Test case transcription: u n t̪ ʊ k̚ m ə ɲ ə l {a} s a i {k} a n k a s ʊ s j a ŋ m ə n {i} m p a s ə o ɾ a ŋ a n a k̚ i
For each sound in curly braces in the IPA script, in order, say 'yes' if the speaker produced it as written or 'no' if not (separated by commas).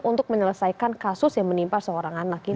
no, yes, yes